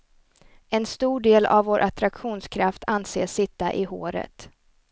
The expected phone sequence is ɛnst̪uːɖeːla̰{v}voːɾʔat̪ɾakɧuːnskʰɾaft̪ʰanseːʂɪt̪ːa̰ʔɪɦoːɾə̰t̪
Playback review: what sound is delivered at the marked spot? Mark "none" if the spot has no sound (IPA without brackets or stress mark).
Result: v